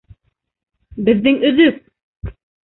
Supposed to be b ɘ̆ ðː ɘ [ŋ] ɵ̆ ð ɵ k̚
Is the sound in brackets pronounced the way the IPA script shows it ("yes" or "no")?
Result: yes